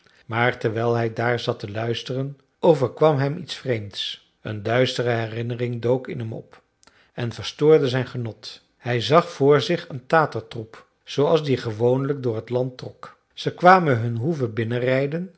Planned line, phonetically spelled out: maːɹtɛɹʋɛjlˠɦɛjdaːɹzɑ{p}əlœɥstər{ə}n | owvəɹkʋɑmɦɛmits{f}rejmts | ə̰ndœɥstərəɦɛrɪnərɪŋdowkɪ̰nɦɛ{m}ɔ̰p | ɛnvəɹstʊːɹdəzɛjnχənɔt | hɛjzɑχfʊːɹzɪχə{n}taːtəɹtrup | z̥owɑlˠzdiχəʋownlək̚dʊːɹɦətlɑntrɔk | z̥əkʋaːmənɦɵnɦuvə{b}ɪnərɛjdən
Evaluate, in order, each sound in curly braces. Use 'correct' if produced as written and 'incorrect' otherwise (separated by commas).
incorrect, correct, correct, correct, correct, correct